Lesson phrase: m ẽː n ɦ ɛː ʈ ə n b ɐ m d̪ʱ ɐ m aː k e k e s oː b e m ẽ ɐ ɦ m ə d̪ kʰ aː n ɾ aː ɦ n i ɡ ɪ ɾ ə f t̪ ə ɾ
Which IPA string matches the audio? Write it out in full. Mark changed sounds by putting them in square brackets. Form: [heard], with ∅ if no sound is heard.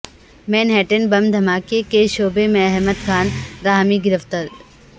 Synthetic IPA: m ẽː n ɦ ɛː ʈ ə n b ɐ m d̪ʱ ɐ m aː k e k e [ʃ] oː b e m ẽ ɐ ɦ m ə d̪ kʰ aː n ɾ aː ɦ [m] i ɡ ɪ ɾ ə f t̪ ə ɾ